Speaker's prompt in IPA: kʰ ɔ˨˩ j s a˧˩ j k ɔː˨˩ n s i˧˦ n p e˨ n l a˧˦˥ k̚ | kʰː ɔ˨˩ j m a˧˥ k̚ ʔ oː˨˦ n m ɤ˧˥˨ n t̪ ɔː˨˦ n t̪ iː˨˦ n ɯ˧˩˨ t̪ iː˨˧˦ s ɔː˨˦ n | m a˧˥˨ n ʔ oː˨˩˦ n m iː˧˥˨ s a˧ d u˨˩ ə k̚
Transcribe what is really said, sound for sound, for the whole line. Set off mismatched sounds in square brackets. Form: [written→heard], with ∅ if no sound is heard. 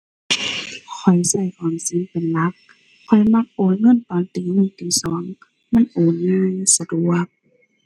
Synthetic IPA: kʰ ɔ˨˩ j s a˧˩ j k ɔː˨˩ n s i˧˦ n p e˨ n l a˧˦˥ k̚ | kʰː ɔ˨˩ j m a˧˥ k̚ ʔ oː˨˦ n [m→ŋ] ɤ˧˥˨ n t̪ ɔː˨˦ n t̪ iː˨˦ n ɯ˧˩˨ t̪ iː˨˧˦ s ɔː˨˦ [n→ŋ] | m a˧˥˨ n ʔ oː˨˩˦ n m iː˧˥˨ s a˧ d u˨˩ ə k̚